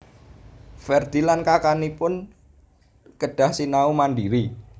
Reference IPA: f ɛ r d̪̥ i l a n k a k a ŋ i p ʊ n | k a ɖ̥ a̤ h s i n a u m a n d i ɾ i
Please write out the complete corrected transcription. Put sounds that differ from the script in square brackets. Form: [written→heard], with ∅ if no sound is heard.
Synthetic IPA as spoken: f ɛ r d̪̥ i l a n k a k a [ŋ→n] i p ʊ n | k [a→ə] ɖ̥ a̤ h s i n a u m a n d i ɾ i